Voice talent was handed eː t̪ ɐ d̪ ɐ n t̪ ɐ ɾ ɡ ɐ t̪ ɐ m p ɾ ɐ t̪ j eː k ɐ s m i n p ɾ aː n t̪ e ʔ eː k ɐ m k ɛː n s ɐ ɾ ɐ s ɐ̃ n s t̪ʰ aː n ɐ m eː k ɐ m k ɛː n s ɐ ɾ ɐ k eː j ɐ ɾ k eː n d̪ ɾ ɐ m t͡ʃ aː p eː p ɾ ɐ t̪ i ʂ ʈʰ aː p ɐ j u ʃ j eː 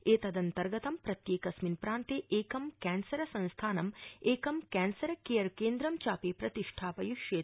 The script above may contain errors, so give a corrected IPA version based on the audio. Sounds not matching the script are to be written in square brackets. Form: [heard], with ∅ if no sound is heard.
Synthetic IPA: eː t̪ ɐ d̪ ɐ n t̪ ɐ ɾ ɡ ɐ t̪ ɐ m p ɾ ɐ t̪ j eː k ɐ s m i n p ɾ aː n t̪ e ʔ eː k ɐ m k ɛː n s ɐ ɾ ɐ s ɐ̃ n s t̪ʰ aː n ɐ m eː k ɐ m k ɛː n s ɐ ɾ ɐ k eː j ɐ ɾ k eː n d̪ ɾ ɐ m t͡ʃ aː p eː p ɾ ɐ t̪ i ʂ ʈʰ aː p ɐ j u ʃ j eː